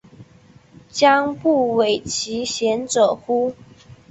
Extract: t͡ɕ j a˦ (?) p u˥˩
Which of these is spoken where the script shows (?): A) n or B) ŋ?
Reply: B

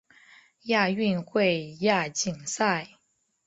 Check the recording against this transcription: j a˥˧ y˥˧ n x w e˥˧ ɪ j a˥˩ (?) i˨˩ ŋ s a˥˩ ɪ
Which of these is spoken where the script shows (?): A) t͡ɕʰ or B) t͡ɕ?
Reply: B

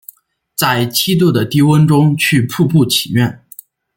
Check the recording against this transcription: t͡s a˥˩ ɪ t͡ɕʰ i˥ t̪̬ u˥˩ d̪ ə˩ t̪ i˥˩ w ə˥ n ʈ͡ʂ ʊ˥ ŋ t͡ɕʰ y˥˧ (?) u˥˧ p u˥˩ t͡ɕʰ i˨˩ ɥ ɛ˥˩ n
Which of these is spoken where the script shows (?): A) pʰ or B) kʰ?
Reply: A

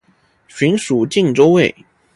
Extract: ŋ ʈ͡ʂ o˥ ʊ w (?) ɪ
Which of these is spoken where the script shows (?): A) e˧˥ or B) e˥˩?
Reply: B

